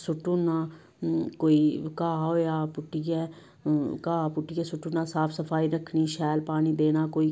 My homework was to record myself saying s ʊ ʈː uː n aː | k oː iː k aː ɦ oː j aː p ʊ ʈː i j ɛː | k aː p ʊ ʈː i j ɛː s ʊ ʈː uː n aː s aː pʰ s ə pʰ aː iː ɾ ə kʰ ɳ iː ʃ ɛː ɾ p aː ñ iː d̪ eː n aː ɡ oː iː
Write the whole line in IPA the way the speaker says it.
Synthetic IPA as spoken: s ʊ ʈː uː n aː | k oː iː k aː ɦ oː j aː p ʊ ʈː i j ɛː | k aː p ʊ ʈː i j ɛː s ʊ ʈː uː n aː s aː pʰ s ə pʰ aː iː ɾ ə kʰ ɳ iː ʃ ɛː l p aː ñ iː d̪ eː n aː k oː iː